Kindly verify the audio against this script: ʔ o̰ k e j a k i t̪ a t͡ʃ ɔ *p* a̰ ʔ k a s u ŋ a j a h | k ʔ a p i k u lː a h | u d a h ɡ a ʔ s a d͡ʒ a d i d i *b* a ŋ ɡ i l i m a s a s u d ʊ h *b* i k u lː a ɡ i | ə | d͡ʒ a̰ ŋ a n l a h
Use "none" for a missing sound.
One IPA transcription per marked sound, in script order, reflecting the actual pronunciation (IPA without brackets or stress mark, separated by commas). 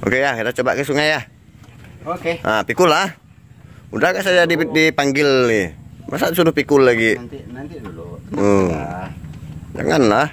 b, p, p